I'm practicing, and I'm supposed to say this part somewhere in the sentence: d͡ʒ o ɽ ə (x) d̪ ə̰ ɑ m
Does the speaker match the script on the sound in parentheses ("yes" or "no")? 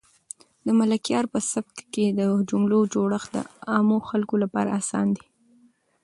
yes